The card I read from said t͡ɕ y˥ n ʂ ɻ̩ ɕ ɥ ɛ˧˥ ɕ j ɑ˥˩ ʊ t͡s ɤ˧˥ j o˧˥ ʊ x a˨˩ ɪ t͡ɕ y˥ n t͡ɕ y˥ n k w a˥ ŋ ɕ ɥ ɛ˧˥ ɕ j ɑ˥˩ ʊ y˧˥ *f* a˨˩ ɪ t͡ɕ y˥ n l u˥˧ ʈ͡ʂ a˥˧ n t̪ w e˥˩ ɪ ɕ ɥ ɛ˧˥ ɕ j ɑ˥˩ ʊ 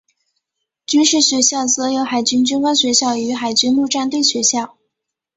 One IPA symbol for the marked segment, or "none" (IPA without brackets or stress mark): x